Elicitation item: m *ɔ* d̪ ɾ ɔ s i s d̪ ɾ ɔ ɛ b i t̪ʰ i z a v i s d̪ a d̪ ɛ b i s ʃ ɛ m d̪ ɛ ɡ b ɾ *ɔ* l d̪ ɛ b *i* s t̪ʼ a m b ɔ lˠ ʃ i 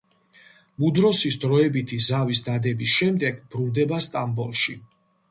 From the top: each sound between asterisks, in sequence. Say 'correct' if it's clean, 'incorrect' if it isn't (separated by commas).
incorrect, incorrect, incorrect